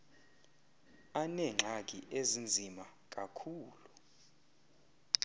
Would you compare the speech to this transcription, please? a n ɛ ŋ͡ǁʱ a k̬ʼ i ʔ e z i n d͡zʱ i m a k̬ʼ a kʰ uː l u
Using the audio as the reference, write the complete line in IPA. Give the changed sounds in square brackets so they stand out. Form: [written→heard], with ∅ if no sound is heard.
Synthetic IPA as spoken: a n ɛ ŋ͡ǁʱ a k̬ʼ i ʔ e z i n d͡zʱ i m a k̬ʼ a kʰ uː l u

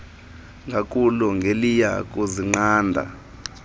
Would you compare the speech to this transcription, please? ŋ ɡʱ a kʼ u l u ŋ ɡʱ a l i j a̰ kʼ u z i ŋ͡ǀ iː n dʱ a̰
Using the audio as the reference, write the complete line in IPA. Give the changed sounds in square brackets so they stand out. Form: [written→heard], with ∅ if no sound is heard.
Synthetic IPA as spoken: ŋ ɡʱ a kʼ u l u ŋ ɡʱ [a→e] l i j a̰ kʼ u z i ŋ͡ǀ [iː→aː] n dʱ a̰

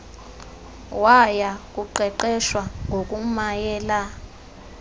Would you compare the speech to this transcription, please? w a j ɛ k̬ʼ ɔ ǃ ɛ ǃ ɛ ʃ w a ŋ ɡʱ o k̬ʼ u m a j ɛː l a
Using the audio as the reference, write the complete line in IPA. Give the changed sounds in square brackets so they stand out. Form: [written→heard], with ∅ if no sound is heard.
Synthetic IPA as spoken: w a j [ɛ→a] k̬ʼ [ɔ→u] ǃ ɛ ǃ ɛ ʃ w a ŋ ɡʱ o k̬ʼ u m a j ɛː l a

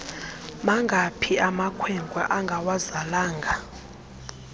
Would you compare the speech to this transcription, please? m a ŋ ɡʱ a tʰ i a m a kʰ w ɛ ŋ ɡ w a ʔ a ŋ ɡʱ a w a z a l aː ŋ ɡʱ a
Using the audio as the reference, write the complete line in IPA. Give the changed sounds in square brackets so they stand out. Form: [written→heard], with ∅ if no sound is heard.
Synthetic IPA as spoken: m a ŋ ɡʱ a [tʰ→pʰ] i a m a kʰ w ɛ ŋ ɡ w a ʔ a ŋ ɡʱ a w a z a l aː ŋ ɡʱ a

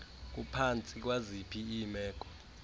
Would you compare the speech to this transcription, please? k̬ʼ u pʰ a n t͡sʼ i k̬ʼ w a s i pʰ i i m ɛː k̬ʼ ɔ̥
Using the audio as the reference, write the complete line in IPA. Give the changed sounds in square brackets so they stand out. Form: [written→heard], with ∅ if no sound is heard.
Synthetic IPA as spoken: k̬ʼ u pʰ a n t͡sʼ i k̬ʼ w a [s→z] i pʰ i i m ɛː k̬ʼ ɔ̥

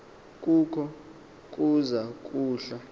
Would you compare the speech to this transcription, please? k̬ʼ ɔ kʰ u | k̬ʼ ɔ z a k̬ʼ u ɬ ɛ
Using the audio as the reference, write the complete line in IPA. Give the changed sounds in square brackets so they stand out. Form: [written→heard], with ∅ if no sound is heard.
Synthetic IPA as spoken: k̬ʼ [ɔ→u] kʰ [u→ɔ] | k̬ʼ [ɔ→u] z a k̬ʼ [u→uː] ɬ [ɛ→a]

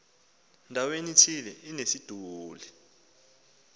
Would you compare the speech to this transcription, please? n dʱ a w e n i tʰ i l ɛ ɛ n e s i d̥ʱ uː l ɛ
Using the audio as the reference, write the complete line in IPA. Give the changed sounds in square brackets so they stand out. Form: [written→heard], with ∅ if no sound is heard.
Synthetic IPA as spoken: n dʱ a w e n i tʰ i l ɛ [ɛ→i] n e s i d̥ʱ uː l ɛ

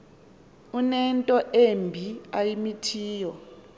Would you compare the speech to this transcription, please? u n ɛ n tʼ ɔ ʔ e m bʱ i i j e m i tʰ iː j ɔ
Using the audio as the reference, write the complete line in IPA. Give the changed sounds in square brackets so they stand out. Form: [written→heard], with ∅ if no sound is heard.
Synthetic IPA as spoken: u n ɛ n tʼ ɔ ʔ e m bʱ i [i→a] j [e→i] m i tʰ iː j ɔ

